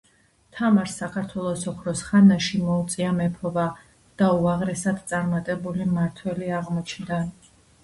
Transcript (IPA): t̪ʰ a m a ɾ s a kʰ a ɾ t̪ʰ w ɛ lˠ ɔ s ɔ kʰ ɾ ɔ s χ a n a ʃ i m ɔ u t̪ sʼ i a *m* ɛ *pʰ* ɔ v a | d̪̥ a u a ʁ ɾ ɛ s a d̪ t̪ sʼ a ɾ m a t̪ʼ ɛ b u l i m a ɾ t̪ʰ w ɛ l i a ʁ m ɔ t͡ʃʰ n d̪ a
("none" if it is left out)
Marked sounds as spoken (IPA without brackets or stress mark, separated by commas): m, pʰ